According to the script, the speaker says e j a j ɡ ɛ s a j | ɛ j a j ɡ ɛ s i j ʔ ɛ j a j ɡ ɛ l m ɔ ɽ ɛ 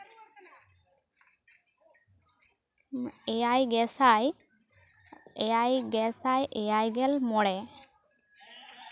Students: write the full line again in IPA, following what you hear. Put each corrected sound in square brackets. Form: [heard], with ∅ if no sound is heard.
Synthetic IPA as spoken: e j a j ɡ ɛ s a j | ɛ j a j ɡ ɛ s [a] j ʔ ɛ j a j ɡ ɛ l m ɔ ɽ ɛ